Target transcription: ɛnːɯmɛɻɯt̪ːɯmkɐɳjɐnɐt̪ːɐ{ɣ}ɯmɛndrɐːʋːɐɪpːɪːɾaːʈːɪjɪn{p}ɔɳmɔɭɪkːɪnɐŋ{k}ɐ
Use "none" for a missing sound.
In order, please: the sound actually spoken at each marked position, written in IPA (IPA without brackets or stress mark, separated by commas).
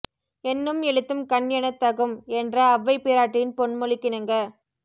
ɣ, p, ɡ